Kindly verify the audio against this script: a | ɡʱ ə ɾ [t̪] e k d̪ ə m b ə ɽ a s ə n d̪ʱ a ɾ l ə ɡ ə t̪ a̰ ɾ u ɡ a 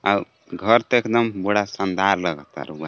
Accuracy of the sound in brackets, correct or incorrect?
correct